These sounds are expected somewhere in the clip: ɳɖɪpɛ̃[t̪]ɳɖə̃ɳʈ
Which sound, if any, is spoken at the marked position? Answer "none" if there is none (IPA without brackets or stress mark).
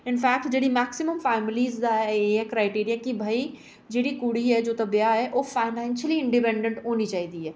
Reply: none